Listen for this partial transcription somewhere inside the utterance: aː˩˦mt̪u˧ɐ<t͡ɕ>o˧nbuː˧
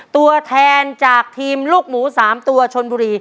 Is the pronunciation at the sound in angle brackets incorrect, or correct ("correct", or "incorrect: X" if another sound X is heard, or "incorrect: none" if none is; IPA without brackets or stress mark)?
incorrect: t͡ɕʰ